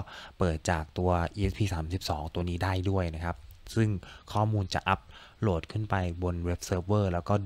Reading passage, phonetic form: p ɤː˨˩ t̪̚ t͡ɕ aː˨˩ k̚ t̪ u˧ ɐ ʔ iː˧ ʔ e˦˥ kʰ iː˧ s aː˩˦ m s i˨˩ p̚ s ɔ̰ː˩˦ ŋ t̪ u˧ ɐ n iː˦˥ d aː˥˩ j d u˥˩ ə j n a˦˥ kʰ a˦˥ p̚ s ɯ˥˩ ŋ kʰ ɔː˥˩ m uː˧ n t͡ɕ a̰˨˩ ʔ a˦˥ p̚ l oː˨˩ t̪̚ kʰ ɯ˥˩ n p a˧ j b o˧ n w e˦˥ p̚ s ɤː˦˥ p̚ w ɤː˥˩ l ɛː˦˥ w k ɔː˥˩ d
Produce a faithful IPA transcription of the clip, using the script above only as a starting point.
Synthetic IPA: p ɤː˨˩ t̪̚ t͡ɕ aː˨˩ k̚ t̪ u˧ ɐ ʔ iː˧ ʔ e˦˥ pʰ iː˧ s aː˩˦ m s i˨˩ p̚ s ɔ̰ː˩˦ ŋ t̪ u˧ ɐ n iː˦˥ d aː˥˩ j d u˥˩ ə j n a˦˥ kʰ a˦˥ p̚ s ɯ˥˩ ŋ kʰ ɔː˥˩ m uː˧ n t͡ɕ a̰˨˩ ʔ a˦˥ p̚ l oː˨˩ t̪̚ kʰ ɯ˥˩ n p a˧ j b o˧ n w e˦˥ p̚ s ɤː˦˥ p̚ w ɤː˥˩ l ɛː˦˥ w k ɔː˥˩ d

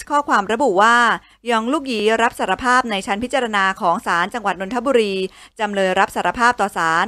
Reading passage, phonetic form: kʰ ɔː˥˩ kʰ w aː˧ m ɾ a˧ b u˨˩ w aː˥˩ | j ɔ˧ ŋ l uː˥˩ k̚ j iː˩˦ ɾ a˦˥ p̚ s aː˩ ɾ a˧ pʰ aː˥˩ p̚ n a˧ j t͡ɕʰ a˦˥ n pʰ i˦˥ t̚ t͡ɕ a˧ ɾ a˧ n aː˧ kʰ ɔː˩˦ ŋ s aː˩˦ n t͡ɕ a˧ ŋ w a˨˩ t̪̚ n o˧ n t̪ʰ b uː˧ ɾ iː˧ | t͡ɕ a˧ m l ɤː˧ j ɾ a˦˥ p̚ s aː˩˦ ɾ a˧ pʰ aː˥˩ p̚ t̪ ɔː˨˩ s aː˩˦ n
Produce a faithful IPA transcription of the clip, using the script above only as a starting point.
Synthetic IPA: kʰ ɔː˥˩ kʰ w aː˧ m ɾ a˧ b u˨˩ w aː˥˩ | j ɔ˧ ŋ l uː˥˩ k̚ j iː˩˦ ɾ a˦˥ p̚ s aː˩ ɾ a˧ pʰ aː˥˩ p̚ n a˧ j t͡ɕʰ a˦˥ n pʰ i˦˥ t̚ t͡ɕ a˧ ɾ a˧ n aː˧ kʰ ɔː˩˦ ŋ s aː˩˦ n t͡ɕ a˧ ŋ w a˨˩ t̪̚ n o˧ n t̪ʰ b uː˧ ɾ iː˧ | t͡ɕ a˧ m l ɤː˧ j ɾ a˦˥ p̚ s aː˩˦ ɾ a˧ pʰ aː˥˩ p̚ t̪ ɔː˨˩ s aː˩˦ n

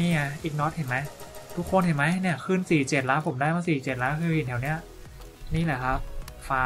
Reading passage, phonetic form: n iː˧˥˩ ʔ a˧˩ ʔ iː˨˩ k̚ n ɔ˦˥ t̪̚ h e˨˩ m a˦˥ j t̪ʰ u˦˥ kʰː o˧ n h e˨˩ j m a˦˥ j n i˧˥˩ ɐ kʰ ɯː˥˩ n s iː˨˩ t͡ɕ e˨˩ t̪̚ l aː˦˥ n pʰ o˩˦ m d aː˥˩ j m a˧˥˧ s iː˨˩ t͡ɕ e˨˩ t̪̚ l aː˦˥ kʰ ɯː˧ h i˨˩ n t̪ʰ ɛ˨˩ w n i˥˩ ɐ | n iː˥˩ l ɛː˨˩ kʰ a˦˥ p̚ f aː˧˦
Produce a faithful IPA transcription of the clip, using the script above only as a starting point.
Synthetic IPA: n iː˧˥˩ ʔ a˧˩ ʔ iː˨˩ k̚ n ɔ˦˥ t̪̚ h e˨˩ m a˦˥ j t̪ʰ u˦˥ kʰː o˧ n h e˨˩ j m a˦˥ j n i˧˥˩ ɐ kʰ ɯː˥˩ n s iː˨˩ t͡ɕ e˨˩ t̪̚ l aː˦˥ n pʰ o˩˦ m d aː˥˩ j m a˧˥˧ s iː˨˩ t͡ɕ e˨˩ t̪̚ l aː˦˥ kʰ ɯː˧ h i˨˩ n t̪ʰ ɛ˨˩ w n i˦˥ ɐ | n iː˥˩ l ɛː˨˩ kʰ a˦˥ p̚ f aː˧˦

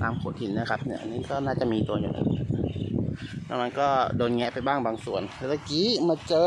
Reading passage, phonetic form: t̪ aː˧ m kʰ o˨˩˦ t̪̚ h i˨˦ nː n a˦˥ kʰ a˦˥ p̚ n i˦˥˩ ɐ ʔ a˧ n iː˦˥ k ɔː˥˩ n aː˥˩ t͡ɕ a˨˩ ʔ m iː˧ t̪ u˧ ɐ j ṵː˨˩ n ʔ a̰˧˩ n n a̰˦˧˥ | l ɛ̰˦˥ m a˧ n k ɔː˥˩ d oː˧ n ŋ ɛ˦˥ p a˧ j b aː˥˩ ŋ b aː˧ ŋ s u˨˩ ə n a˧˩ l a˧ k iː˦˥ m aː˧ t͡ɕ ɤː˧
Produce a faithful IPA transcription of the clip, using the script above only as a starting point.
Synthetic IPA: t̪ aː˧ m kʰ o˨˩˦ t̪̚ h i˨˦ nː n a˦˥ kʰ a˦˥ p̚ n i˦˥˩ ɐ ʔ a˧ n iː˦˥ k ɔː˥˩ n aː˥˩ t͡ɕ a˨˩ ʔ m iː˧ t̪ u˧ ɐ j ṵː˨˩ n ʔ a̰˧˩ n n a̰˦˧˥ | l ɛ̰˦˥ m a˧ n k ɔː˥˩ d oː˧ n ŋ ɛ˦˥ p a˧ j b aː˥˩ ŋ b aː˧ ŋ s u˨˩ ə n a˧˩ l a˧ k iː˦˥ m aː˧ t͡ɕ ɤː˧

